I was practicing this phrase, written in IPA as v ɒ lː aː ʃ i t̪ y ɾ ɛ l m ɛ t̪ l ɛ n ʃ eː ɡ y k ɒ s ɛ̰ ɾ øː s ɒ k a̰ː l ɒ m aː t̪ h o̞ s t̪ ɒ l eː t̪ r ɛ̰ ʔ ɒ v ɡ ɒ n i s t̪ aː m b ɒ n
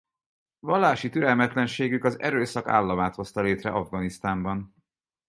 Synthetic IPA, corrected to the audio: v ɒ lː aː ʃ i t̪ y ɾ ɛ l m ɛ t̪ l ɛ n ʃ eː ɡ y k ɒ z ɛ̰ ɾ øː s ɒ k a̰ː lː ɒ m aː t̪ h o̞ s t̪ ɒ l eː t̪ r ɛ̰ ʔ ɒ v ɡ ɒ n i s t̪ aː m b ɒ n